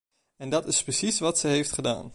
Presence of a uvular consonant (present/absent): present